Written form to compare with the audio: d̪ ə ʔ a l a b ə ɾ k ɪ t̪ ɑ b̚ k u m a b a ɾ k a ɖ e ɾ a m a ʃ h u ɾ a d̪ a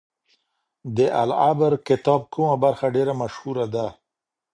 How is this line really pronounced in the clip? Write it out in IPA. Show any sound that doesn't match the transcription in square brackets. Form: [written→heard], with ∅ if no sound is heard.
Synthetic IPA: d̪ ə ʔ a l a b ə ɾ k ɪ t̪ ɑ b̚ k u m a b a ɾ [k→x] a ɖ e ɾ a m a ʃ h u ɾ a d̪ a